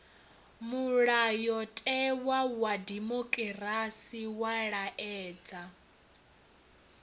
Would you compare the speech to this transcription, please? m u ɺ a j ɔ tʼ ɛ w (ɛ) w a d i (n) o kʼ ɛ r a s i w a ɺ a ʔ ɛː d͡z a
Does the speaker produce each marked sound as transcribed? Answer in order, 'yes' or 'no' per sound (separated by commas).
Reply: no, no